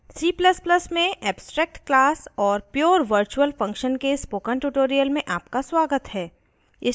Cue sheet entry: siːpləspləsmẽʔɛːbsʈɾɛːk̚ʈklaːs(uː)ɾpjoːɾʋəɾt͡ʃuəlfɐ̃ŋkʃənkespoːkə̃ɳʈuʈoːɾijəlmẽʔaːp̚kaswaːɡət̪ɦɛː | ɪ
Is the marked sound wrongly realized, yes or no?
yes